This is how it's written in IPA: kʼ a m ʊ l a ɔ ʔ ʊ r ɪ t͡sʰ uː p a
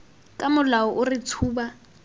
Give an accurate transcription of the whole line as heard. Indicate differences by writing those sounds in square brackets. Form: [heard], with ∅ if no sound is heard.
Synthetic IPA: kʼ a m ʊ l a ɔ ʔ ʊ r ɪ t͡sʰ uː [b] a